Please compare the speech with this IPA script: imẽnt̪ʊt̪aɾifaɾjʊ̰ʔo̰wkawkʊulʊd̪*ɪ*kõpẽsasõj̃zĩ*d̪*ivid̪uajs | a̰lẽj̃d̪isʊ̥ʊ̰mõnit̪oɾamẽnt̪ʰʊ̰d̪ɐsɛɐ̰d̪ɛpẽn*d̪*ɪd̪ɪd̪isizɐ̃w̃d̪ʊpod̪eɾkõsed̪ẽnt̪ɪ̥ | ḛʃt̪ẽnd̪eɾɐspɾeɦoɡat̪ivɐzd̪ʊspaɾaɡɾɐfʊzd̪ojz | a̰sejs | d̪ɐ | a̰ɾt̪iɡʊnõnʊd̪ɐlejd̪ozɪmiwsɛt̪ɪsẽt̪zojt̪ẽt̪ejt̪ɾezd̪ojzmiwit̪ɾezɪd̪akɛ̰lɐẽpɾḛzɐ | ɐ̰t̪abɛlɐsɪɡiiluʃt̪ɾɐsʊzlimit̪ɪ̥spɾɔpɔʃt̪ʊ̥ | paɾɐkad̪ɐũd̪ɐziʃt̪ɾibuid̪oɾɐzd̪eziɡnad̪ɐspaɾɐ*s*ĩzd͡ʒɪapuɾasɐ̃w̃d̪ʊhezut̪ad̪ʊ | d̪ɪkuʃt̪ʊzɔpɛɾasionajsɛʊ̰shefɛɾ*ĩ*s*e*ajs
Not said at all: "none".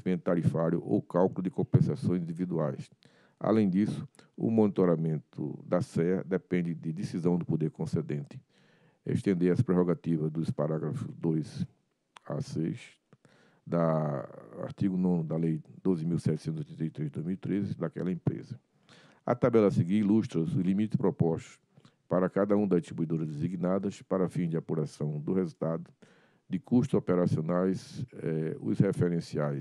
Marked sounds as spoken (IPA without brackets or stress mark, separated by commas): ɪ, d̪, d̪, f, ẽ, i